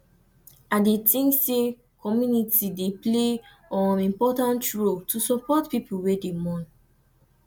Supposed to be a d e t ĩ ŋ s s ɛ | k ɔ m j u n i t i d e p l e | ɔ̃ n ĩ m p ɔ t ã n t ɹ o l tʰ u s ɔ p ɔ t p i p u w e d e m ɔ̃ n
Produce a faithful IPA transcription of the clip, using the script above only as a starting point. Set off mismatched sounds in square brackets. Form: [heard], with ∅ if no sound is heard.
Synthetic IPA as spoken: a d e t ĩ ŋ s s [e] | k ɔ m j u n i t i d e p l e | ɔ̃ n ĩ m p ɔ t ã n t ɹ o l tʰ u s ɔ p ɔ t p i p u w e d e m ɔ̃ n